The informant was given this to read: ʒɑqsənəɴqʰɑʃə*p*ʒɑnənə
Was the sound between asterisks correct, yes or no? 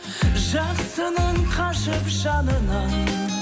yes